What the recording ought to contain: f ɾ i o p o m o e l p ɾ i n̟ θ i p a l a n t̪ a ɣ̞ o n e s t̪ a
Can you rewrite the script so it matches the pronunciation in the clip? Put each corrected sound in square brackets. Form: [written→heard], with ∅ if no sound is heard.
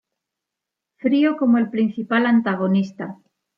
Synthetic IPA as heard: f ɾ i o [p→k] o m o e l p ɾ i n̟ θ i p a l a n t̪ a ɣ̞ o n [e→i] s t̪ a